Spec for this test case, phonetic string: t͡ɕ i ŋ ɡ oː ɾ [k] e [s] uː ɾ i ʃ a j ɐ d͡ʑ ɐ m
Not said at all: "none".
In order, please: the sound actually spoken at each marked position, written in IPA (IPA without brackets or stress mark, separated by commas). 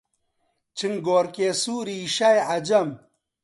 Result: k, s